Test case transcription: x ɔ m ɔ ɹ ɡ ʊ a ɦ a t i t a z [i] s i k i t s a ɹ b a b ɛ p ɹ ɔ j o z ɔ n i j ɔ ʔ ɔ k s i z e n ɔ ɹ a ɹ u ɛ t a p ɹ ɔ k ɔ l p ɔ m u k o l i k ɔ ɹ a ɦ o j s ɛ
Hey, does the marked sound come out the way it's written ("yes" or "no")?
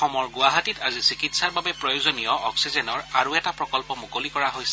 yes